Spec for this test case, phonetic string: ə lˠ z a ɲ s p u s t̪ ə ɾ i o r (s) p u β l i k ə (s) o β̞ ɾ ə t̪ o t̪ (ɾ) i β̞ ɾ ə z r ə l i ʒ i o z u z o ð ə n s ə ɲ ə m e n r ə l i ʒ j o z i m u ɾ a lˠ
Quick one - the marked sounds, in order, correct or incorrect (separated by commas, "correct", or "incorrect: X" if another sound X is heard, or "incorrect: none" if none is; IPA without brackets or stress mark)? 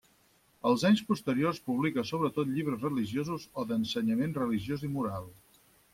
correct, correct, incorrect: ʎ